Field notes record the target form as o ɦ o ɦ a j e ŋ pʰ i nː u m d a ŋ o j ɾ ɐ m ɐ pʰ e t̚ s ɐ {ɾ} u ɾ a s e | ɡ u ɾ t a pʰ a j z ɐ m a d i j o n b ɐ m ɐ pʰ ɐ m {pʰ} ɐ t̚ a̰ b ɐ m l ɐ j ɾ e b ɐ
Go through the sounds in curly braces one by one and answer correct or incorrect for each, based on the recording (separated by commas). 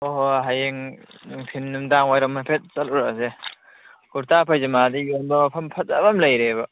incorrect, correct